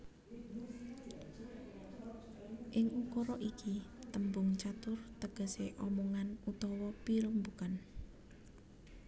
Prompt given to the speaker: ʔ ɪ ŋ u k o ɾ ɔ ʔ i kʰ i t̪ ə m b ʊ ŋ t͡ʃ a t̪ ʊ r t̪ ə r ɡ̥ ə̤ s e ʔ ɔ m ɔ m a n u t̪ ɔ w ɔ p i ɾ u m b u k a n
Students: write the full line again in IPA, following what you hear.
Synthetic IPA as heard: ʔ ɪ ŋ u k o ɾ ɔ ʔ i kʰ i t̪ ə m b ʊ ŋ t͡ʃ a t̪ ʊ r t̪ ə ɡ̥ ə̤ s e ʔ ɔ m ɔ ŋ a n u t̪ ɔ w ɔ p i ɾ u m b u k a n